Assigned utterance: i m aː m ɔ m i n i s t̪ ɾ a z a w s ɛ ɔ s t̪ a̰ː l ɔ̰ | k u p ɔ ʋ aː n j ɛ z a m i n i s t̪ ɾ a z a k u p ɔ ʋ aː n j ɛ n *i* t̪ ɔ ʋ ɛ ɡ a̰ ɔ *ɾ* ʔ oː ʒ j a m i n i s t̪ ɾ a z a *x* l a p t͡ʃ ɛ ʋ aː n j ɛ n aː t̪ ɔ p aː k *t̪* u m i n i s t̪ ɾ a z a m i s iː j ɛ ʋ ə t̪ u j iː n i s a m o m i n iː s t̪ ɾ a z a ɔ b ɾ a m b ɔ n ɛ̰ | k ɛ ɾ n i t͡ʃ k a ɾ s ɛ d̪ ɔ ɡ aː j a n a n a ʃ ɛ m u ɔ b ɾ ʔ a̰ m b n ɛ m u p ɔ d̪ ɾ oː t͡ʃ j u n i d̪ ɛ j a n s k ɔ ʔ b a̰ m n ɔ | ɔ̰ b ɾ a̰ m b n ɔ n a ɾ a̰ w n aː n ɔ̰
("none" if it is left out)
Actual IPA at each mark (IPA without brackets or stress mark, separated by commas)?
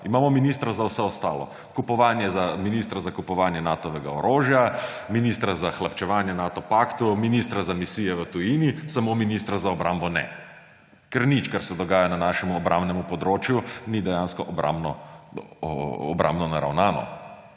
a, ɾ, x, t̪